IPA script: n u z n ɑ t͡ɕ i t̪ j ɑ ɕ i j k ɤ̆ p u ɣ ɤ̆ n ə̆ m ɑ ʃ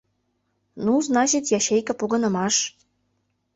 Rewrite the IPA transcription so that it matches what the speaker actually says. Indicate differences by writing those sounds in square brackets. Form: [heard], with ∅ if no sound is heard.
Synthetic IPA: n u z n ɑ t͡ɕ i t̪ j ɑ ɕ [e] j k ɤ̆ p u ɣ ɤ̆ n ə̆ m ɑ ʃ